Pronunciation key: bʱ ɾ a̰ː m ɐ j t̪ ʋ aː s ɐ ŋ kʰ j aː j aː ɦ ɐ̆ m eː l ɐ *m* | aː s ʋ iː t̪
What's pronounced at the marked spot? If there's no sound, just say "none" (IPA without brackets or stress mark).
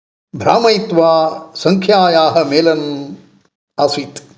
n